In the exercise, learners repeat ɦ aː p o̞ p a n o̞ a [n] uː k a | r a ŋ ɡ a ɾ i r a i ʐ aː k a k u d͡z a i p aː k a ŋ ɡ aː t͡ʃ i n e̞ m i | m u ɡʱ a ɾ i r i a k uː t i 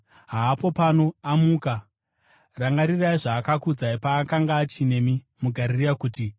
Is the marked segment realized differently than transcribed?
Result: yes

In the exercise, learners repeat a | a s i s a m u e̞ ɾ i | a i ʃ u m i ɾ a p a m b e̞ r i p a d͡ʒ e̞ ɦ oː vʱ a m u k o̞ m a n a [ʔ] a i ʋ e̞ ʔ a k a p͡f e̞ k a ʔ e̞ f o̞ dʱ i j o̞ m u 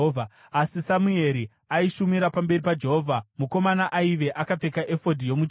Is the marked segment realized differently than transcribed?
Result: no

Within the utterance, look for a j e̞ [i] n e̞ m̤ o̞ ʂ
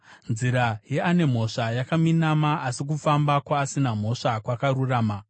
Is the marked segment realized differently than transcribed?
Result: yes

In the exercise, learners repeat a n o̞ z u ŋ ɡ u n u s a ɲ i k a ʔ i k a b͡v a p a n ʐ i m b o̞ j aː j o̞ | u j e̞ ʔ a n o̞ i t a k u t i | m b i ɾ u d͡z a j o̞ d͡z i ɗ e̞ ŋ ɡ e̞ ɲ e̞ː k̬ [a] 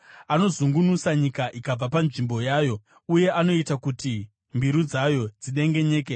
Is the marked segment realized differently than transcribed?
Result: yes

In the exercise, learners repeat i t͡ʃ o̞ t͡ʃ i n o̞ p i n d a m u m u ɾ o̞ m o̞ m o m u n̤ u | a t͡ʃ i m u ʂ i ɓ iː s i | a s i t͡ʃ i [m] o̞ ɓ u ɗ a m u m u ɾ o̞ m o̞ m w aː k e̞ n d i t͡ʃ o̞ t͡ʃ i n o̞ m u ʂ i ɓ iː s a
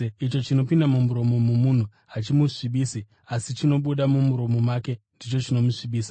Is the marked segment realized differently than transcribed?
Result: yes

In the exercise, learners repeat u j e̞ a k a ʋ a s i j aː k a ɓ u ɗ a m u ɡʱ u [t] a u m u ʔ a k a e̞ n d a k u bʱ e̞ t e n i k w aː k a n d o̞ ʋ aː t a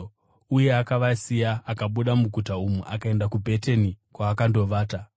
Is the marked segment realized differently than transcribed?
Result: no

